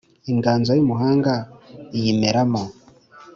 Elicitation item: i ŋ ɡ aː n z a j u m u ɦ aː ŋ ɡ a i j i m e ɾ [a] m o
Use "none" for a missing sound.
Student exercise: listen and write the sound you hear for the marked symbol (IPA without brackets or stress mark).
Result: a